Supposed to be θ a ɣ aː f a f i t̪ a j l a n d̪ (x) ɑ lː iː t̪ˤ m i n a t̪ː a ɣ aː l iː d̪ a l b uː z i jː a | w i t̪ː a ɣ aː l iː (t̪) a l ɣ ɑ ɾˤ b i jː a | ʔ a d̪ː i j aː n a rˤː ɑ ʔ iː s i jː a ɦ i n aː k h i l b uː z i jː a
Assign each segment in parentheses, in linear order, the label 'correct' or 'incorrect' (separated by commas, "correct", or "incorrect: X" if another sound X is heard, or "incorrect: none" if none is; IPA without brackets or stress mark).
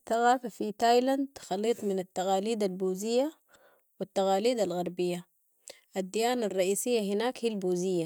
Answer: correct, incorrect: d̪